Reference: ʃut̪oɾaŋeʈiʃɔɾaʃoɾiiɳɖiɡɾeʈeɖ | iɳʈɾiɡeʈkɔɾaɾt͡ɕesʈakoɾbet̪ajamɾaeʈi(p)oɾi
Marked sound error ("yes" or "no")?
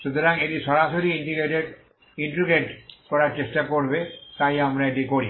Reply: yes